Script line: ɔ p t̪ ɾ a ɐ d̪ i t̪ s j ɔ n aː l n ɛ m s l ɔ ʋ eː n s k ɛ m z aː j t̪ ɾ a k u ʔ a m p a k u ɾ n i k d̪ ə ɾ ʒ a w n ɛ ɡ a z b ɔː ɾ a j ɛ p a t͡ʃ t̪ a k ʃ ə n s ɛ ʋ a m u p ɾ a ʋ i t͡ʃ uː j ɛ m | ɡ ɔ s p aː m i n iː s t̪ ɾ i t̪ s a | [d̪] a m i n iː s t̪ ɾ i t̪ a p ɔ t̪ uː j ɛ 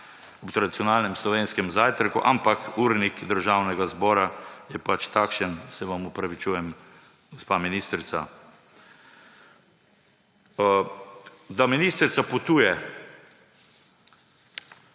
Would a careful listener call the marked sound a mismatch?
no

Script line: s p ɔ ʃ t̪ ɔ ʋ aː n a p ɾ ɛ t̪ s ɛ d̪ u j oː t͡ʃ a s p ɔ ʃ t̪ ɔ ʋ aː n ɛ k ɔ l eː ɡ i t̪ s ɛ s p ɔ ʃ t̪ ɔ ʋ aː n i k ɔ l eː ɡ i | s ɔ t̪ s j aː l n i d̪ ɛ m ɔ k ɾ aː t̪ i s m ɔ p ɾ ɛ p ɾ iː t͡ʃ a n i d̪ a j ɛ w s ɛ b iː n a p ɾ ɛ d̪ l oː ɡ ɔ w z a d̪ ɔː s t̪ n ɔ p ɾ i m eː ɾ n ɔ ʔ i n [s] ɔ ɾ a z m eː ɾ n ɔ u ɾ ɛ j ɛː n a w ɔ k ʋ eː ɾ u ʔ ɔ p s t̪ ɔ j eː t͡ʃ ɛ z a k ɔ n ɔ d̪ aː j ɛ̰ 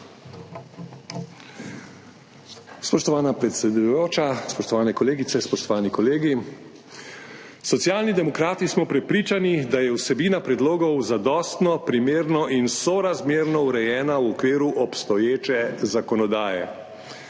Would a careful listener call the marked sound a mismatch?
no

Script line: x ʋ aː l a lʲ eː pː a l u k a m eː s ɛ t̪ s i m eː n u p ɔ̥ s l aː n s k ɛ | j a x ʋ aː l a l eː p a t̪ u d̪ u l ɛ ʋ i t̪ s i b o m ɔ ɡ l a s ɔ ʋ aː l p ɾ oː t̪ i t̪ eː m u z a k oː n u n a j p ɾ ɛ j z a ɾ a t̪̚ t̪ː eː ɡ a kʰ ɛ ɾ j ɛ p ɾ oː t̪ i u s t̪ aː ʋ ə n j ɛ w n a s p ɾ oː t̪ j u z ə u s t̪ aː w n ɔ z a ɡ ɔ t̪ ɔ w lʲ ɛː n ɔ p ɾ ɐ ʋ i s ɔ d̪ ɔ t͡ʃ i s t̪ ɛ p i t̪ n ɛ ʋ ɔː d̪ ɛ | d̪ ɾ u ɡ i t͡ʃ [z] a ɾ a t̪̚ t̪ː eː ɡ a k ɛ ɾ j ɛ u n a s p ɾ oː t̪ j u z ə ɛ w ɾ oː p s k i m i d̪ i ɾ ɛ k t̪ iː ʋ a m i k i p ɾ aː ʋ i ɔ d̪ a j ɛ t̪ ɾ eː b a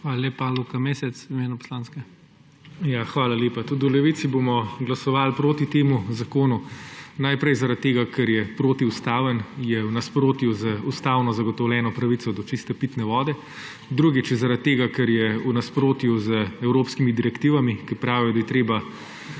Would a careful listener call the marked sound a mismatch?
no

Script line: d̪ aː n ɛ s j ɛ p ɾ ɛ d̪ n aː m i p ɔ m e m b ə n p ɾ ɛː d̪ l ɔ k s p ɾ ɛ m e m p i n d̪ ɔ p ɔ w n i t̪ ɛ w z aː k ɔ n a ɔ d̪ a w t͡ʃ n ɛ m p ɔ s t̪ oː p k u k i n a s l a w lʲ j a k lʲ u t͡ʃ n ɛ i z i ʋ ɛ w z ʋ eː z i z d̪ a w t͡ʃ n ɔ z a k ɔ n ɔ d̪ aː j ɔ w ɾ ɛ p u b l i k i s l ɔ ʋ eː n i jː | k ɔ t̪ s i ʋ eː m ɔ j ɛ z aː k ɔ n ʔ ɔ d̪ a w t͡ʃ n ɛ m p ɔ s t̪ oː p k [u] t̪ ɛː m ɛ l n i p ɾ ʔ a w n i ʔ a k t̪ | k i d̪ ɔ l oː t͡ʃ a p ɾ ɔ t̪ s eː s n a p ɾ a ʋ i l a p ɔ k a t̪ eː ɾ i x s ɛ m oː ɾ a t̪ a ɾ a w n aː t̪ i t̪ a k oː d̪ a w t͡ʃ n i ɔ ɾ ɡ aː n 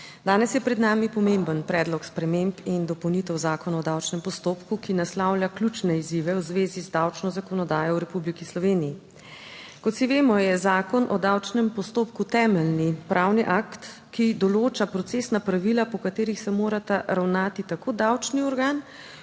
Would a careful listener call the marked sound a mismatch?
no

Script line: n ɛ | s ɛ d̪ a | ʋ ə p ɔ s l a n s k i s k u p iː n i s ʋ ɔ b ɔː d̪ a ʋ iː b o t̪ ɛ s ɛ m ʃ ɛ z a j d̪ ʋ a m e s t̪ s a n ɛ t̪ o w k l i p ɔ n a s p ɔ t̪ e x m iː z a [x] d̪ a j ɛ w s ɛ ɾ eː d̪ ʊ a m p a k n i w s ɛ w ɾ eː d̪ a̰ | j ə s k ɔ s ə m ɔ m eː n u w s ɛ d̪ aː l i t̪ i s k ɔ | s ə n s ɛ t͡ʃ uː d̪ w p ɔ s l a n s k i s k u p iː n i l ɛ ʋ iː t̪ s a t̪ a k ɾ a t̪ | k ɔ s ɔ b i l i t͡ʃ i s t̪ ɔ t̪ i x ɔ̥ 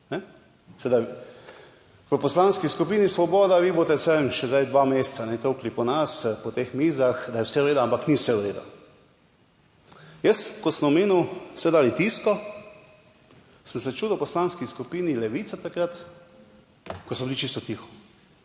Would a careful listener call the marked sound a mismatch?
no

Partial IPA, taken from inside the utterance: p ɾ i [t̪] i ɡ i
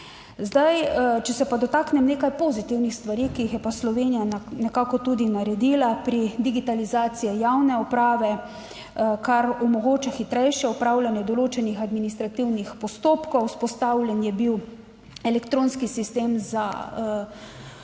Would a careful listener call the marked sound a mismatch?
yes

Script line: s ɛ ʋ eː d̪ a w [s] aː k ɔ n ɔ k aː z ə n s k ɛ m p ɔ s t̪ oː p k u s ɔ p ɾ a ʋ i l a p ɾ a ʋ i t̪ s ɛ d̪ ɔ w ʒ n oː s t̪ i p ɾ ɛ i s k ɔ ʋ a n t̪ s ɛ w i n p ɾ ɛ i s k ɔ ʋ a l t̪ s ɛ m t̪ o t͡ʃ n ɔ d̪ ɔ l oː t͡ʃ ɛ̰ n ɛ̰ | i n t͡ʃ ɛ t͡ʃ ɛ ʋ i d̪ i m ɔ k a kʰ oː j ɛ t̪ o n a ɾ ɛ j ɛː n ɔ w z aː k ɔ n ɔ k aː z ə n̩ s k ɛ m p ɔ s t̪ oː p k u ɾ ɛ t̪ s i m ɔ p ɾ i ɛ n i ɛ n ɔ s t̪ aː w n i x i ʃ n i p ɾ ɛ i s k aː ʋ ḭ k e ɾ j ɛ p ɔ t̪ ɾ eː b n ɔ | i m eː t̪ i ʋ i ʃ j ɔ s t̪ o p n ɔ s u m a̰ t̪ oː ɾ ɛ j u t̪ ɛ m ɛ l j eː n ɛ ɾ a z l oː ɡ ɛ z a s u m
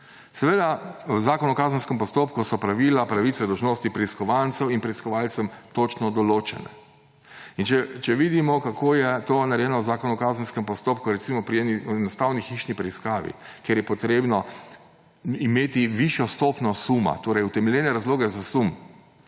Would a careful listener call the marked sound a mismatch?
yes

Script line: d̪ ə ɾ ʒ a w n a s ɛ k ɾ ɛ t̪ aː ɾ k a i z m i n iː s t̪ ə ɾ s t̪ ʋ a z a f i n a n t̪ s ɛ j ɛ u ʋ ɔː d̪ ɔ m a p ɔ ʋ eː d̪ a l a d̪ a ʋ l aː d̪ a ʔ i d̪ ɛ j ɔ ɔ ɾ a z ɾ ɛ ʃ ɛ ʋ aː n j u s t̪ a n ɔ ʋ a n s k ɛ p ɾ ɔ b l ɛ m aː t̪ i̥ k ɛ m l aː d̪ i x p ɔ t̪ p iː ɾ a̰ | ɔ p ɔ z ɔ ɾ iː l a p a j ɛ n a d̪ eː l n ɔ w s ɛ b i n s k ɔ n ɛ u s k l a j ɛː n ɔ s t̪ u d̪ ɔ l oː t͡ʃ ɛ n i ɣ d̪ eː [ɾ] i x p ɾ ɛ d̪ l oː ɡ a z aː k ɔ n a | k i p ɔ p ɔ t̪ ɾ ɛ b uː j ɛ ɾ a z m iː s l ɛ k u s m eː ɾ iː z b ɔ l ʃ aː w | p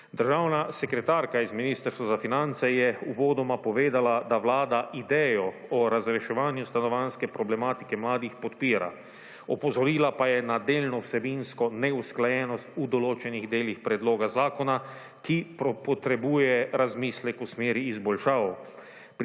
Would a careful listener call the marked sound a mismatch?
yes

